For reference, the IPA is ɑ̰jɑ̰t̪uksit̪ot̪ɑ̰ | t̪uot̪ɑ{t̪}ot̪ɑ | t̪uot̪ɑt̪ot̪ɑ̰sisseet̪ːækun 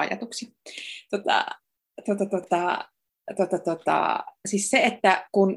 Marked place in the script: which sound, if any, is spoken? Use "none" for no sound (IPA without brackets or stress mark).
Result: t̪